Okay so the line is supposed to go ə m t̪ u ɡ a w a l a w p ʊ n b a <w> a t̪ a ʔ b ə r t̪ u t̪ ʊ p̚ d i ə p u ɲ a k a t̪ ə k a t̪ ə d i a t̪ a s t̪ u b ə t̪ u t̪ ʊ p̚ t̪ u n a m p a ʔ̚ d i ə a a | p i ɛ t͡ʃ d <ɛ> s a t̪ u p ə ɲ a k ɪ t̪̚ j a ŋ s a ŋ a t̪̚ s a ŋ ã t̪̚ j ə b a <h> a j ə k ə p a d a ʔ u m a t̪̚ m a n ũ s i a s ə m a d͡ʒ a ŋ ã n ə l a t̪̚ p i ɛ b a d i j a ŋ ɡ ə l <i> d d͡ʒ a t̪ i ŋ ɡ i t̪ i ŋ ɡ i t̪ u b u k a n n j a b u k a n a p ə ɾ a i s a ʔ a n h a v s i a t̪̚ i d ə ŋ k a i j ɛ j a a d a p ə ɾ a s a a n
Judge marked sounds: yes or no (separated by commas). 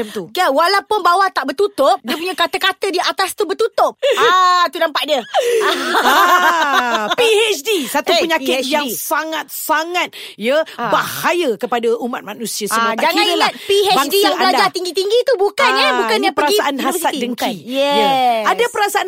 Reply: yes, no, yes, no